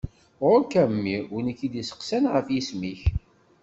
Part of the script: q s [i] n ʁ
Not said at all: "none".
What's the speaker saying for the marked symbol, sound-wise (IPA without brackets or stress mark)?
æ